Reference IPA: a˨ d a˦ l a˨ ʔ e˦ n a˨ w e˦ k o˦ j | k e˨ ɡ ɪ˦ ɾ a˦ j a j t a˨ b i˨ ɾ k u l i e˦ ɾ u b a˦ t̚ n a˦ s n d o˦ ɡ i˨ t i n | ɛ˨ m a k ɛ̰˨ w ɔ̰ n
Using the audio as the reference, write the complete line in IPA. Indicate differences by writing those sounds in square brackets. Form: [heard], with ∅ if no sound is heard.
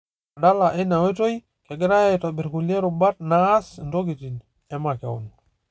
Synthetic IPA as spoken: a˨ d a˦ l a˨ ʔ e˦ n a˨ w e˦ [t] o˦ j | k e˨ ɡ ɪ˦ ɾ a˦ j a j t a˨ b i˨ ɾ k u l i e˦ ɾ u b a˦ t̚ n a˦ s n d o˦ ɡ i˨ t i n | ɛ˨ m a k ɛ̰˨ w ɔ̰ n